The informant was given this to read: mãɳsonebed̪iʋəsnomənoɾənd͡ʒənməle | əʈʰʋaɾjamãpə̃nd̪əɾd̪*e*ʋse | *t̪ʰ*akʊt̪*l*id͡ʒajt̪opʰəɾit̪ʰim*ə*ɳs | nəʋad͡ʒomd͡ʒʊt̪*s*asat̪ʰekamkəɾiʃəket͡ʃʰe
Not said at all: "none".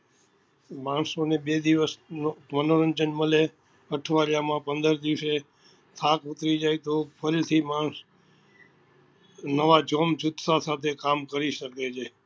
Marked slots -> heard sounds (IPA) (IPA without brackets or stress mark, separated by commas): i, t̪ʰ, ɾ, a, s